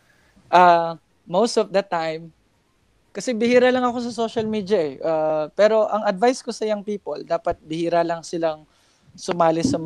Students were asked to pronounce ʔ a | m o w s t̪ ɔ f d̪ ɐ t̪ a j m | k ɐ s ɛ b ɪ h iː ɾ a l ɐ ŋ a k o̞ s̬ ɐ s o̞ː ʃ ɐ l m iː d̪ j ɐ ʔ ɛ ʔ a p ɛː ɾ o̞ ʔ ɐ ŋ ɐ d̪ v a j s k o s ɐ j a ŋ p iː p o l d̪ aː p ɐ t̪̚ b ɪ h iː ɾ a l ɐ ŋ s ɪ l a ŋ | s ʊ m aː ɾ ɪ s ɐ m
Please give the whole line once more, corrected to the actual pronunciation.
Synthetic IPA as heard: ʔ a | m o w s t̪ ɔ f d̪ ɐ t̪ a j m | k ɐ s ɛ b ɪ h iː ɾ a l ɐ ŋ ɐ k o̞ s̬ ɐ s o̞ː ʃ ɐ l m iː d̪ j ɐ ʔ ɛ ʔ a p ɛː ɾ o̞ ʔ ɐ ŋ ɐ d̪ v a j s k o s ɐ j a ŋ p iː p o l d̪ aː p ɐ t̪̚ b ɪ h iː ɾ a l ɐ ŋ s ɪ l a ŋ | s ʊ m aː l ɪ s ɐ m